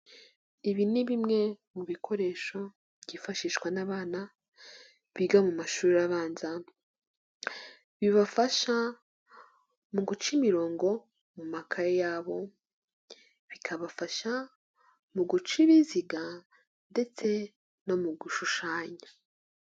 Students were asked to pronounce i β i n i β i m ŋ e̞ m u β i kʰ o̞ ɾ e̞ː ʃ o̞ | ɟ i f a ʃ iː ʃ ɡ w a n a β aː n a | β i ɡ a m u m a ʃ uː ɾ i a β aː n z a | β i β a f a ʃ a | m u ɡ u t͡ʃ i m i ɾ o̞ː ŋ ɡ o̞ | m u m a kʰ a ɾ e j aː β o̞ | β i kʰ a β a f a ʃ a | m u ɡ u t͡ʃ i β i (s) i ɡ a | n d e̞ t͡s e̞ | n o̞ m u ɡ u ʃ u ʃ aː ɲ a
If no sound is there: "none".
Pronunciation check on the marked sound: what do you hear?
z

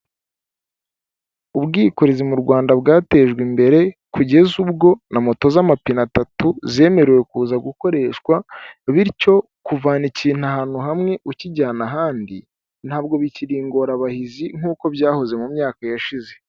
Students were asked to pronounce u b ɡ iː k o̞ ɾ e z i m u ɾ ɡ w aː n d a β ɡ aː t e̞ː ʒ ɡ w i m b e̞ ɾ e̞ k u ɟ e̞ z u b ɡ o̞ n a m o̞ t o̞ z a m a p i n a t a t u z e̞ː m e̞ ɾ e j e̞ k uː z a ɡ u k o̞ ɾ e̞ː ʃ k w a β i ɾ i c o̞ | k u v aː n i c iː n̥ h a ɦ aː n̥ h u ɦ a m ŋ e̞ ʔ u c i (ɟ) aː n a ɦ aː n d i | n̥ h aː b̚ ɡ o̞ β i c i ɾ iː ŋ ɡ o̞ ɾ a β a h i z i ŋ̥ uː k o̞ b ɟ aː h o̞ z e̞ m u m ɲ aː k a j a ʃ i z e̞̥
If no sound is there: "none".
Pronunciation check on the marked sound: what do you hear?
ɟ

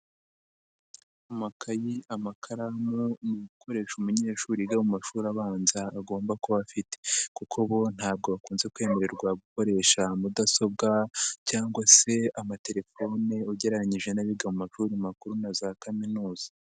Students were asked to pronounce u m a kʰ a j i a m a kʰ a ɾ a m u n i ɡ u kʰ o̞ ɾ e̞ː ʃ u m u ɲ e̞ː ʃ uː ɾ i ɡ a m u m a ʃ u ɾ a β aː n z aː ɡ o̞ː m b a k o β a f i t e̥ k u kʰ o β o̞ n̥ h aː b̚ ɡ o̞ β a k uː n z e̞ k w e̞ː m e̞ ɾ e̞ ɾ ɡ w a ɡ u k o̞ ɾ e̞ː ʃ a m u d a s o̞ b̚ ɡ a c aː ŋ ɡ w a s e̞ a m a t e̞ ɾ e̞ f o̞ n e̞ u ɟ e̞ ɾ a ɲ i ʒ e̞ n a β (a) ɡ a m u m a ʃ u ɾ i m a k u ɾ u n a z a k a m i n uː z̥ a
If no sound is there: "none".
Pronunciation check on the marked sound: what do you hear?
i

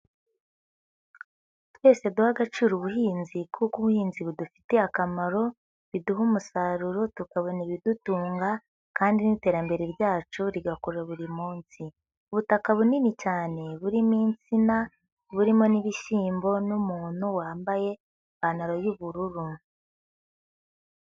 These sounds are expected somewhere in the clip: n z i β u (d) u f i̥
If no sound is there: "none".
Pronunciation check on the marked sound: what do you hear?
d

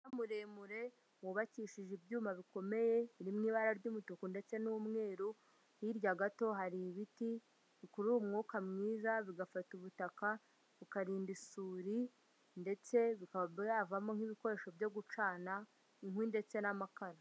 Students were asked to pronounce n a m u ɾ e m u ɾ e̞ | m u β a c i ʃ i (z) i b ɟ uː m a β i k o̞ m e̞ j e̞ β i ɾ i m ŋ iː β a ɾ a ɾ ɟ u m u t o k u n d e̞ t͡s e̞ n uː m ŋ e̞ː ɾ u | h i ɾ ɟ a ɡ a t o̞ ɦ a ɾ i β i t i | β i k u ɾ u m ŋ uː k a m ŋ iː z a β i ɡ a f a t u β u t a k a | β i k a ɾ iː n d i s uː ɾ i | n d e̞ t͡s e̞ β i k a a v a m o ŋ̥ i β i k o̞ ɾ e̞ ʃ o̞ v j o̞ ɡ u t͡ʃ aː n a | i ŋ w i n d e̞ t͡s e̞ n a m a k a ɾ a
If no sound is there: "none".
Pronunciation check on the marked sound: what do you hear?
ʒ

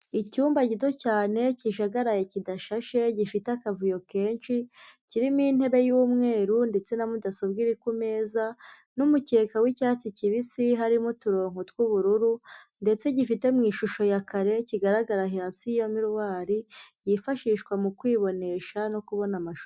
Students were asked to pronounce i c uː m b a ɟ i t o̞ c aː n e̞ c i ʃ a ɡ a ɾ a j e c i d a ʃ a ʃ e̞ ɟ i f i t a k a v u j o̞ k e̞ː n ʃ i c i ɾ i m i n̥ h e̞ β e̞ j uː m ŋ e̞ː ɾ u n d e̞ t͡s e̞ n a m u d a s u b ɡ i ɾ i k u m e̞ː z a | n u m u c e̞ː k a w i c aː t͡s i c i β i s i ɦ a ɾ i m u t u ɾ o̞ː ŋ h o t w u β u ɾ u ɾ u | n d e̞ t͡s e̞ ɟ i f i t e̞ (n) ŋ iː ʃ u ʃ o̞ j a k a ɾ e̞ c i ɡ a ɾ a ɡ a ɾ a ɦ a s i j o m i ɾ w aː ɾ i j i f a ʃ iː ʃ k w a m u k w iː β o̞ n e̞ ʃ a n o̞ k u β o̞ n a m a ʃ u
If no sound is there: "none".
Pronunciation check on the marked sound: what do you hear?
m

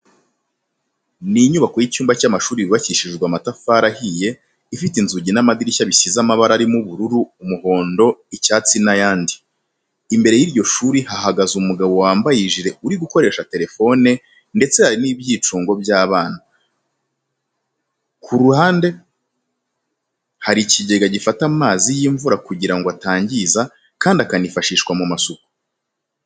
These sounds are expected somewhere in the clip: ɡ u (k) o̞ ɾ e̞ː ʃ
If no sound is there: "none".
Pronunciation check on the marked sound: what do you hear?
k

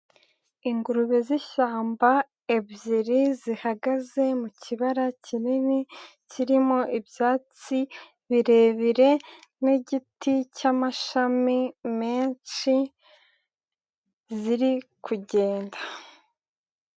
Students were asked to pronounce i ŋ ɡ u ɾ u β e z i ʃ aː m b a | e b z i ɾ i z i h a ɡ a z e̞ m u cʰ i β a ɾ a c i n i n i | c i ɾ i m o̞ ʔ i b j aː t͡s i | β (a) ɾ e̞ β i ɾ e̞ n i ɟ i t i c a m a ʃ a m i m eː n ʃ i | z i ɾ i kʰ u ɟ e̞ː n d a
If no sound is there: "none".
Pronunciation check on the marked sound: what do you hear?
i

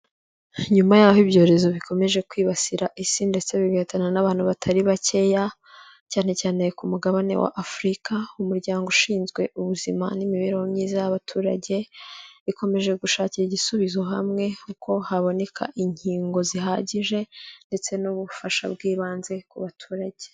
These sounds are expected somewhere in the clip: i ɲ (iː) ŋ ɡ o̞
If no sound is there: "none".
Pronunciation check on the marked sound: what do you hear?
iː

